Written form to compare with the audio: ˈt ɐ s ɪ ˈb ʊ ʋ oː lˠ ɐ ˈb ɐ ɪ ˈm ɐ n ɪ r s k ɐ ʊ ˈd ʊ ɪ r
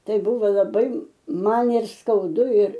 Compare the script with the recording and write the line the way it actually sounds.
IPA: ˈt ɐ ɪ ˈb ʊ ʋ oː lˠ ɐ ˈb ɐ ɪ ˈm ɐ n ɪ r s k ɐ ʊ ˈd ʊ ɪ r